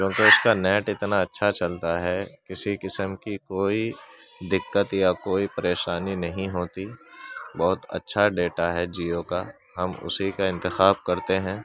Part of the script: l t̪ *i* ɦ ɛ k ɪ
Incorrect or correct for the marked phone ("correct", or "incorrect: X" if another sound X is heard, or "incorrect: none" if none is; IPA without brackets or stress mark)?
incorrect: a